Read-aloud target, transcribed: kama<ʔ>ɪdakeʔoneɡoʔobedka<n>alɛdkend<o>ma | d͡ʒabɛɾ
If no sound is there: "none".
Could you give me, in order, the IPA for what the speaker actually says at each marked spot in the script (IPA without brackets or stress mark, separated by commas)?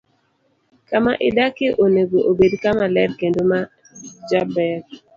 ʔ, m, o